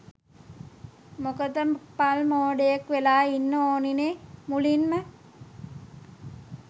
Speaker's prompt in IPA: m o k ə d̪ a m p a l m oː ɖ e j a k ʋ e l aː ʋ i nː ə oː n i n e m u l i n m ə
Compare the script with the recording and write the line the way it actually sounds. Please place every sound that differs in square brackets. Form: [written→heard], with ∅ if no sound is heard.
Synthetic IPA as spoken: m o k ə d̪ [a→ə] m p a l m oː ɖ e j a k ʋ e l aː [ʋ→∅] i nː ə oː n i n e m u l i n m ə